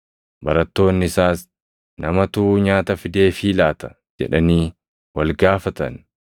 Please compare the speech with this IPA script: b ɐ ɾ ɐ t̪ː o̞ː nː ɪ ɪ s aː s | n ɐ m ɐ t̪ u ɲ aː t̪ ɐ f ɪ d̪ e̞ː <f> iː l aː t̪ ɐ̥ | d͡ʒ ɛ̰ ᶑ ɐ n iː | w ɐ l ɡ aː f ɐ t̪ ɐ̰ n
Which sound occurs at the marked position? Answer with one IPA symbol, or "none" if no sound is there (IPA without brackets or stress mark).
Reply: f